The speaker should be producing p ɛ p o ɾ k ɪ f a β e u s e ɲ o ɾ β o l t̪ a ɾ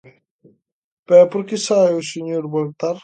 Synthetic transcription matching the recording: p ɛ p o ɾ k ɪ s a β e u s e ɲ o ɾ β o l t̪ a ɾ